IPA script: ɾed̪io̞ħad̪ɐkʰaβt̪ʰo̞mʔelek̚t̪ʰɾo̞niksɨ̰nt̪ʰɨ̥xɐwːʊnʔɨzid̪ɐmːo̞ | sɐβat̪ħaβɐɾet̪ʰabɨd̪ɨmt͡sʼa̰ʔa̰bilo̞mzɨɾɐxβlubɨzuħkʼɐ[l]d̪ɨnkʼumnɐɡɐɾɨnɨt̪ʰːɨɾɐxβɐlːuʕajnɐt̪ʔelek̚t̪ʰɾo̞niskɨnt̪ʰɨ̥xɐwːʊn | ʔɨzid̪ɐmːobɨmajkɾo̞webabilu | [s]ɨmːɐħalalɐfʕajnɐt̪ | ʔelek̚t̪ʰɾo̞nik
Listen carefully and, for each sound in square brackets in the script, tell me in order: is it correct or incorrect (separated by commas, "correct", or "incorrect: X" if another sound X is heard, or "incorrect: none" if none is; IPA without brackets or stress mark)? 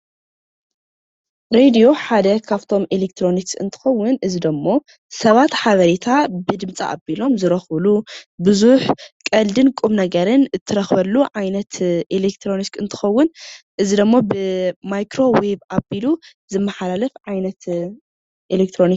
correct, incorrect: z